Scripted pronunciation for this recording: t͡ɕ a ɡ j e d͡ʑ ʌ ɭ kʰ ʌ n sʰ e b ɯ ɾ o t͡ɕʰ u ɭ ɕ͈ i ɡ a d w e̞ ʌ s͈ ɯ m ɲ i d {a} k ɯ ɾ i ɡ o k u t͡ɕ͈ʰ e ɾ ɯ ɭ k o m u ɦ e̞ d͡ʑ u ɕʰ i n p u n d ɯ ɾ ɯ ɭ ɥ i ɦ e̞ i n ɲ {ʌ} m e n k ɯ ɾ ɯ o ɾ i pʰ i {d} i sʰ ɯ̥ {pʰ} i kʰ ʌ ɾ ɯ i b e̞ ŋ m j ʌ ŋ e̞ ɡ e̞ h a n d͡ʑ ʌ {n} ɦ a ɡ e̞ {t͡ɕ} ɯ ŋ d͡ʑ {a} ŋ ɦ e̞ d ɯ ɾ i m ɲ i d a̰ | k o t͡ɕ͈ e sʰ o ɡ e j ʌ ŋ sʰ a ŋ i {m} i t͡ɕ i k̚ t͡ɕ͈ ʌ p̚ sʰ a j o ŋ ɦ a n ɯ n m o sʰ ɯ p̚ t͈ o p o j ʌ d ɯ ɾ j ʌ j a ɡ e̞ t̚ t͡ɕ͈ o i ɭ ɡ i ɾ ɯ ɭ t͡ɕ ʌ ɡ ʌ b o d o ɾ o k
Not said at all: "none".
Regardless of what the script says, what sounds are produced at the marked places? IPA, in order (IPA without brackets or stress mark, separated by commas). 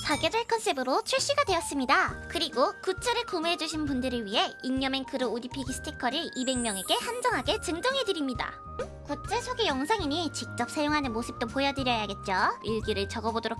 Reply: a, ʌ, ɡ, tʰ, ŋ, t͡ɕ, ʌ, ɲ